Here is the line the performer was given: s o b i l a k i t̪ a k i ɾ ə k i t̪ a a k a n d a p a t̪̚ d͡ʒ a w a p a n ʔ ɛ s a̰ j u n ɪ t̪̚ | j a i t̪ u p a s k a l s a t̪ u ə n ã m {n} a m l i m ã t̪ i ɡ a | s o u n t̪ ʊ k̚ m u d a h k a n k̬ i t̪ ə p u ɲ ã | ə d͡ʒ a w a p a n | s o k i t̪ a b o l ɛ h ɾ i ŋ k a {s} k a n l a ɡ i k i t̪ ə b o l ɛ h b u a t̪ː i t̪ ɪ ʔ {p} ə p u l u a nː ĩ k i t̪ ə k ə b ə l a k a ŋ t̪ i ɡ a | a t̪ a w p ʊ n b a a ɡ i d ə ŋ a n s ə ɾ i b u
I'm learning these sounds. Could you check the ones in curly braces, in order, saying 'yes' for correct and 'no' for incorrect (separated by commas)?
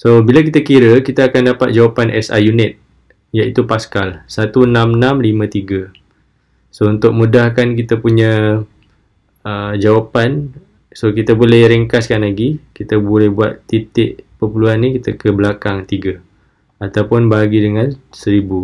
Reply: yes, yes, yes